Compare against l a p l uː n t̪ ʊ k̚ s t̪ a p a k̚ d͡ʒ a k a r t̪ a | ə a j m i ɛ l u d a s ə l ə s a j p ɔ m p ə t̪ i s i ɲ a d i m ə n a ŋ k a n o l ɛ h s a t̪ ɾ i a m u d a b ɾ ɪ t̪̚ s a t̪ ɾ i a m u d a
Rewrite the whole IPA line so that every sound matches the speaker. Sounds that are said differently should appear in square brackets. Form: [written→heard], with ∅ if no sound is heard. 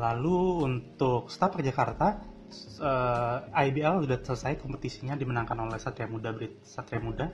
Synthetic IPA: l a [p→∅] l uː n t̪ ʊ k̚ s t̪ a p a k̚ d͡ʒ a k a r t̪ a | ə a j [m→b] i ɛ l u d a s ə l ə s a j [p→k] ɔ m p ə t̪ i s i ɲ a d i m ə n a ŋ k a n o l ɛ h s a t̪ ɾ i a m u d a b ɾ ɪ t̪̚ s a t̪ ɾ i a m u d a